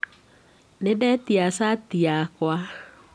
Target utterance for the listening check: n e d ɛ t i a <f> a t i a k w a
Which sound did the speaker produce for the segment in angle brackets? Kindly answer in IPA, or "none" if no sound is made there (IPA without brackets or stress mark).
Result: s